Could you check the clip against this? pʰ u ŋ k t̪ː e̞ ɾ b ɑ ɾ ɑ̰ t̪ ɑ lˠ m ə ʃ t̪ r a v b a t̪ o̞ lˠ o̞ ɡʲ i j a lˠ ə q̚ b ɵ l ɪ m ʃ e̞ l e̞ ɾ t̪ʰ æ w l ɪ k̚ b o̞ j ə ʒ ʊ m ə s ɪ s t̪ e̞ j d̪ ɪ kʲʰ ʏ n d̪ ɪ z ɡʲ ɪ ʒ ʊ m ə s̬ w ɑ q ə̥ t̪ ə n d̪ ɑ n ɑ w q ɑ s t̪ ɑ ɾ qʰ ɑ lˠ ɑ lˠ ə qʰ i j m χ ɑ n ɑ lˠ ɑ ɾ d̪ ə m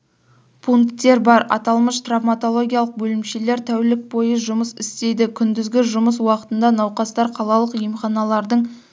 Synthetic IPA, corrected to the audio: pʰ u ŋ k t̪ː e̞ ɾ b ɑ ɾ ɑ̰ t̪ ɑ lˠ m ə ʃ t̪ r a v m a t̪ o̞ lˠ o̞ ɡʲ i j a lˠ ə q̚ b ɵ l ɪ m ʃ e̞ l e̞ ɾ t̪ʰ æ w l ɪ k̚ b o̞ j ə ʒ ʊ m ə s ɪ s t̪ e̞ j d̪ ɪ kʲʰ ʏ n d̪ ɪ z ɡʲ ɪ ʒ ʊ m ə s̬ w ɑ q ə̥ t̪ ə n d̪ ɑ n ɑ w q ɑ s t̪ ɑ ɾ qʰ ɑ lˠ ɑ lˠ ə q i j m χ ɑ n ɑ lˠ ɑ ɾ d̪ ə ɴ